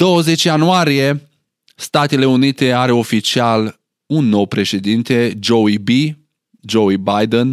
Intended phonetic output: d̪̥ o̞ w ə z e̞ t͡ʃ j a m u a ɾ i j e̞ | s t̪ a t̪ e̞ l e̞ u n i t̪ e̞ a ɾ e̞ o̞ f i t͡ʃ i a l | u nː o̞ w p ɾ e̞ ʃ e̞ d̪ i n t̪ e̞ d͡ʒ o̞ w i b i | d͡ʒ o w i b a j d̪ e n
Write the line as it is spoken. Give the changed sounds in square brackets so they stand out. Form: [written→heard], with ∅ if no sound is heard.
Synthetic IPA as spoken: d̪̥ o̞ w ə z e̞ t͡ʃ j a [m→n] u a ɾ i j e̞ | s t̪ a t̪ e̞ l e̞ u n i t̪ e̞ a ɾ e̞ o̞ f i t͡ʃ i a l | u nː o̞ w p ɾ e̞ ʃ e̞ d̪ i n t̪ e̞ d͡ʒ o̞ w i b i | d͡ʒ o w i b a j d̪ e n